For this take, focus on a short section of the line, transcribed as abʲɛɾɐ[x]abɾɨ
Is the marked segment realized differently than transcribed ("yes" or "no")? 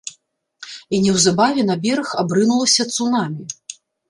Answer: no